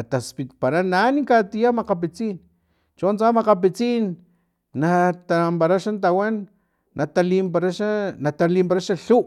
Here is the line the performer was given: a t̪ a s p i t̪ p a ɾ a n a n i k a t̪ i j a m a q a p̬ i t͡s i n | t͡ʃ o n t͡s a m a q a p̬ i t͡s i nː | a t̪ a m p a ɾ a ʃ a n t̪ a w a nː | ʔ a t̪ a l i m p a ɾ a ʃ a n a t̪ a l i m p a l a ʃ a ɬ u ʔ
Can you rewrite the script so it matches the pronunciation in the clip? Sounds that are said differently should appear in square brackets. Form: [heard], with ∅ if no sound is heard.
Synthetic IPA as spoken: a t̪ a s p i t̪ p a ɾ a n a n i k a t̪ i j a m a q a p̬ i t͡s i n | t͡ʃ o n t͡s a m a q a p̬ i t͡s i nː | a t̪ a m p a ɾ a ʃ a n t̪ a w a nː | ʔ a t̪ a l i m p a ɾ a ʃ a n a t̪ a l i m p a [ɾ] a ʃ a ɬ u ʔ